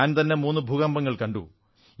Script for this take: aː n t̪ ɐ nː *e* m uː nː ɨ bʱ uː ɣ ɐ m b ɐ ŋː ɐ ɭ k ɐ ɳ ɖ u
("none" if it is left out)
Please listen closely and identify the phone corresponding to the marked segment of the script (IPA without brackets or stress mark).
e